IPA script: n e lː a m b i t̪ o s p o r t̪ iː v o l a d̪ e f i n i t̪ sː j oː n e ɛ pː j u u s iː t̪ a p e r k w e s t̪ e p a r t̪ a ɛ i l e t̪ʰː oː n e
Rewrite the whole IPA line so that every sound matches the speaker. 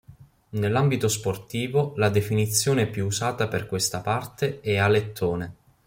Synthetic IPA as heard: n e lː a m b i t̪ o s p o r t̪ iː v o l a d̪ e f i n i t̪ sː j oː n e ɛ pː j u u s aː t̪ a p e r k w e s t̪ a p a r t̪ e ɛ a l e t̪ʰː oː n e